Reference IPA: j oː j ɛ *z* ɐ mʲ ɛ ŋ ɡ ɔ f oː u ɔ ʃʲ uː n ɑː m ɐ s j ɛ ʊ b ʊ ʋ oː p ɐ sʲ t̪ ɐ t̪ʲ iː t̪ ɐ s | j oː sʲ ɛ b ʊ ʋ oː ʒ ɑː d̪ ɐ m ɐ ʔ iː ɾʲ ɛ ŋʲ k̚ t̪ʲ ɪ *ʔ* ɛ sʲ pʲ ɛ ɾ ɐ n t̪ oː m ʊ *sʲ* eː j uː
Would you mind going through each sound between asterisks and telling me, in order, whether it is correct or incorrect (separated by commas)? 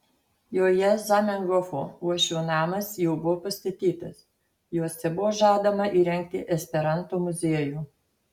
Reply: correct, correct, incorrect